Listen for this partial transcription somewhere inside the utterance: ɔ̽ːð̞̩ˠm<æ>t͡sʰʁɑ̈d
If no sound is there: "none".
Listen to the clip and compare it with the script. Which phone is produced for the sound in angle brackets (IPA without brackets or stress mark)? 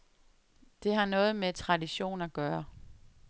e